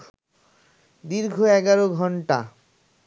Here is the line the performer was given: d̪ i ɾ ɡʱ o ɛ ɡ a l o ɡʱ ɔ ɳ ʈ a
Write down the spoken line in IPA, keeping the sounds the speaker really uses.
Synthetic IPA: d̪ i ɾ ɡʱ o ɛ ɡ a ɾ o ɡʱ ɔ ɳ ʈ a